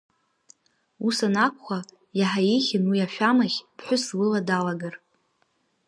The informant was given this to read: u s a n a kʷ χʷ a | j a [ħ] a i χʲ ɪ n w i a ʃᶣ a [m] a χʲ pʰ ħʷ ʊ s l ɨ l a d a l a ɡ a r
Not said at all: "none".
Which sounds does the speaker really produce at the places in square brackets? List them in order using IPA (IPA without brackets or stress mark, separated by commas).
ħ, m